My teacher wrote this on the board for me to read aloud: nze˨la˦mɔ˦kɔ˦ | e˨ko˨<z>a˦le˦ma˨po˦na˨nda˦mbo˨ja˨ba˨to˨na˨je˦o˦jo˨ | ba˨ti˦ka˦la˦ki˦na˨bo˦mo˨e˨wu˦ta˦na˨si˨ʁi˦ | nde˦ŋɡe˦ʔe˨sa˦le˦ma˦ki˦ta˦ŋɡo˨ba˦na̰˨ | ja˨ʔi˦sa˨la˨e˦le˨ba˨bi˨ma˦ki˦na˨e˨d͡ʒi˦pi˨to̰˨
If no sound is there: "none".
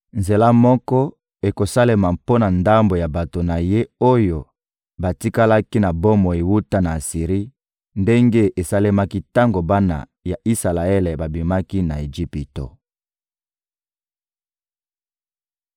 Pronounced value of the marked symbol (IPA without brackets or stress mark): s